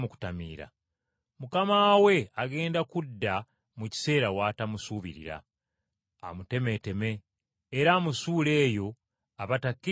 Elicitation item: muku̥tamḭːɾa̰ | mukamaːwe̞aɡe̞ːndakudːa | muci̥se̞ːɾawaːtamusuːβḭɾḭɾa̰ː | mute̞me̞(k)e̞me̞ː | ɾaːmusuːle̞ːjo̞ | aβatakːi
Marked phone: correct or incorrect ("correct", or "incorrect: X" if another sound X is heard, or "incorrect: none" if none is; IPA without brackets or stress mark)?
incorrect: t